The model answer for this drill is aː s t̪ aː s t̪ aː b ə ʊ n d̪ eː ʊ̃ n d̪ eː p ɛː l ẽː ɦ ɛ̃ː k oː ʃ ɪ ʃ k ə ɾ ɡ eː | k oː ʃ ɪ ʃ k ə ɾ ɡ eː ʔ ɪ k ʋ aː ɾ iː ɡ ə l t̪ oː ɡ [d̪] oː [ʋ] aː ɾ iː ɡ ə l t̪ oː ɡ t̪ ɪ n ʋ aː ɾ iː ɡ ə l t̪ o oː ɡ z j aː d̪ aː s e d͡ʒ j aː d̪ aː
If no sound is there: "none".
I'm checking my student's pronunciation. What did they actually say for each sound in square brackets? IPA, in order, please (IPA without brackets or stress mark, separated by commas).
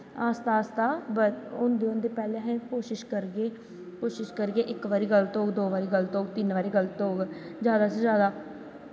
d̪, ʋ